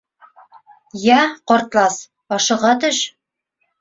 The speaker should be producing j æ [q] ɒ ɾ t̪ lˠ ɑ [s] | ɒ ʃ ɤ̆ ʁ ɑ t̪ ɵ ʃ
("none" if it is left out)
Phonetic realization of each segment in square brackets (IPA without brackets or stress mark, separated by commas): q, s